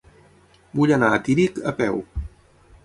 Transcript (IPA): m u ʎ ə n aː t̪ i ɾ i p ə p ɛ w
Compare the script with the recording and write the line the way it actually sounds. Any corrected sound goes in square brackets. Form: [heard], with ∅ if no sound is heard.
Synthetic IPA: [b] u ʎ ə n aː t̪ i ɾ i [k] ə p ɛ w